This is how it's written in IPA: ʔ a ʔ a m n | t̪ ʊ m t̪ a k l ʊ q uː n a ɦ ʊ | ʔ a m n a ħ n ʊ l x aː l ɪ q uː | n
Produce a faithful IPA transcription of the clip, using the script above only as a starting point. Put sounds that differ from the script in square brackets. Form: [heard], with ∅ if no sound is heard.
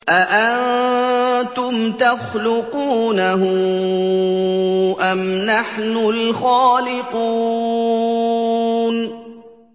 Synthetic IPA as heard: ʔ a ʔ a [n] n | t̪ ʊ m t̪ a [x] l ʊ q uː n a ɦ ʊ | ʔ a m n a ħ n ʊ l x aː l ɪ q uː | n